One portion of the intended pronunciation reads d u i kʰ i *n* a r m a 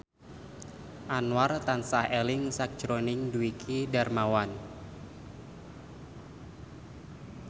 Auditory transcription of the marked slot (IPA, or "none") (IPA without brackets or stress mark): d